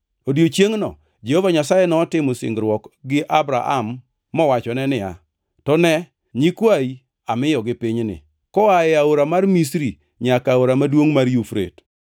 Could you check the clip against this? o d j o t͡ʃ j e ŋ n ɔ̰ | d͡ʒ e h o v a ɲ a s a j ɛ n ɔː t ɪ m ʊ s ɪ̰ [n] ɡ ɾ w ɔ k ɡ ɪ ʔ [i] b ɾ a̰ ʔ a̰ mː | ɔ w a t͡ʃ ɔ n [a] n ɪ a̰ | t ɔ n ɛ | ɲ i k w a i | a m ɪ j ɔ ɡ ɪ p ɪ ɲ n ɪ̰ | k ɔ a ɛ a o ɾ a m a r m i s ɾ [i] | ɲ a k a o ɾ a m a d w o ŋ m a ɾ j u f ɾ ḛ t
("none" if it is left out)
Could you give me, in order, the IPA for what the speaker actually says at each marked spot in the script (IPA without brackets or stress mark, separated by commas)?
ŋ, a, ɛ, i